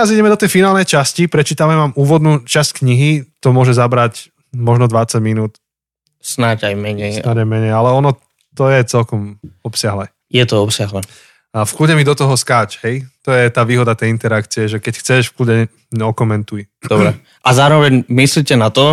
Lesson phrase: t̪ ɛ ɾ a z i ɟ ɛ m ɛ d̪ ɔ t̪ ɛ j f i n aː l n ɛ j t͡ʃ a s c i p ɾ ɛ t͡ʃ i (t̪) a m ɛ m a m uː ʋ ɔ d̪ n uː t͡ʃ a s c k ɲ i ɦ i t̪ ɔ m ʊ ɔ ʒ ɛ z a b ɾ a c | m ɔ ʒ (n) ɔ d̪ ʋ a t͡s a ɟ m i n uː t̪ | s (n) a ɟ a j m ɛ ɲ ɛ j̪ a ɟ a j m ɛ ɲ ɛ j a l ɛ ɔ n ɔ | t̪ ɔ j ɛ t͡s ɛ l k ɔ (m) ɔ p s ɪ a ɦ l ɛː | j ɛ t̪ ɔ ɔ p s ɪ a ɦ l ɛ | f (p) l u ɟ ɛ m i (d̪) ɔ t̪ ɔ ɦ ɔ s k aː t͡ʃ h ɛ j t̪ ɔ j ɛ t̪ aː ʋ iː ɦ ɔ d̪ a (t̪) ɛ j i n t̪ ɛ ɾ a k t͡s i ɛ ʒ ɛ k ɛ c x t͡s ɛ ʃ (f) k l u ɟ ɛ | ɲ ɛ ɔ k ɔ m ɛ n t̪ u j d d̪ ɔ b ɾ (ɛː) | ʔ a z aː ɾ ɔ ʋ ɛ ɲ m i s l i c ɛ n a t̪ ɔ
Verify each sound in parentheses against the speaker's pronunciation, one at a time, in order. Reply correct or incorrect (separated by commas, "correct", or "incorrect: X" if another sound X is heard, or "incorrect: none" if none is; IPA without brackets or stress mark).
correct, correct, correct, correct, incorrect: k, correct, correct, correct, incorrect: ɛ